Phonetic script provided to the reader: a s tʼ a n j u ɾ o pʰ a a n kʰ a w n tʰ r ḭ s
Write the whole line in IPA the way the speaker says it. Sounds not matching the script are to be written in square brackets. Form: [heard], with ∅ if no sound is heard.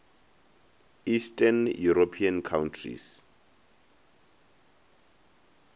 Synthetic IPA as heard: [i] s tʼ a n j u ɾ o pʰ [i] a n kʰ a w n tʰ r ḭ s